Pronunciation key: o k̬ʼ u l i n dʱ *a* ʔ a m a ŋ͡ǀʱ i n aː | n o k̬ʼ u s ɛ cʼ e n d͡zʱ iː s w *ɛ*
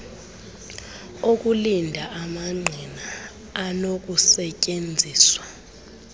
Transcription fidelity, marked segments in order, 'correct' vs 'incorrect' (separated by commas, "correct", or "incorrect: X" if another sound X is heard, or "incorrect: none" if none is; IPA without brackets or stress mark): correct, incorrect: a